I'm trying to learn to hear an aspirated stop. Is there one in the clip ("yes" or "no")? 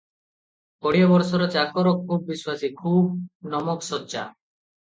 yes